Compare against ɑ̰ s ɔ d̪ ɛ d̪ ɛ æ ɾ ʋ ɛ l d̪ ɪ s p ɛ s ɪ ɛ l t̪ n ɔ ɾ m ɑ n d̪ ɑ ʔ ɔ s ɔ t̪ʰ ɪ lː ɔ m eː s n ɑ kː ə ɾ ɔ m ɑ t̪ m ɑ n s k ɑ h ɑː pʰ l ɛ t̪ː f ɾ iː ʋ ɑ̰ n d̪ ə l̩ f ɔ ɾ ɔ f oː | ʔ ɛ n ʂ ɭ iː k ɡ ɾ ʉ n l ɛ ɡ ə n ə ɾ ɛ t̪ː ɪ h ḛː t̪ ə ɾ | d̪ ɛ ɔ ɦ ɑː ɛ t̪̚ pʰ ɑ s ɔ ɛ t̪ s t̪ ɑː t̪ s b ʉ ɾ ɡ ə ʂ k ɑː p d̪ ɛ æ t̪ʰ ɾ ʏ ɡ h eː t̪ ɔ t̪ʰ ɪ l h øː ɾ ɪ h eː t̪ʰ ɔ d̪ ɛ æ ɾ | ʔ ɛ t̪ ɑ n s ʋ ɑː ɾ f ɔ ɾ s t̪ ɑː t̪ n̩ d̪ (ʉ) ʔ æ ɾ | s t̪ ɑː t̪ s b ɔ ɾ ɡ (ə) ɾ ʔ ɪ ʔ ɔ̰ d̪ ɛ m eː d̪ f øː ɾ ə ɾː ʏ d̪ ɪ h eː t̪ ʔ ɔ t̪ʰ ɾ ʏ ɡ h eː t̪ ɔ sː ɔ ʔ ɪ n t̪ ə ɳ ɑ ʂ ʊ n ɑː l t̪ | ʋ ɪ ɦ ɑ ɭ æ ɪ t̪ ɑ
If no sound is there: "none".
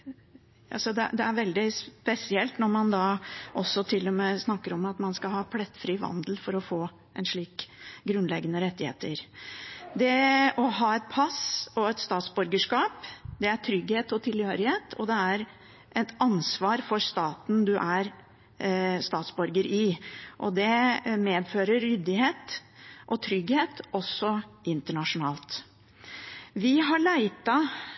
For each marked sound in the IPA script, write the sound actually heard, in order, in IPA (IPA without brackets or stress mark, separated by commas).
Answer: ʉ, ə